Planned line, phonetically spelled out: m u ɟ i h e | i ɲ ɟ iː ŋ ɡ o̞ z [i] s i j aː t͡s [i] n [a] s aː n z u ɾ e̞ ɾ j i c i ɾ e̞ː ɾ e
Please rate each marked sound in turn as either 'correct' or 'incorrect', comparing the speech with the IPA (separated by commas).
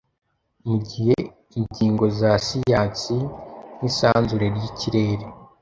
incorrect, correct, incorrect